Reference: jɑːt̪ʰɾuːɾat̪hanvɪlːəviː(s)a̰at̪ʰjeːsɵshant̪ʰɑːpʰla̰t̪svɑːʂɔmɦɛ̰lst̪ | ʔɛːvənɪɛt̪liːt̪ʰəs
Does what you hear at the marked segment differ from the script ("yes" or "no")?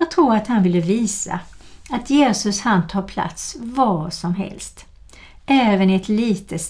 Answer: no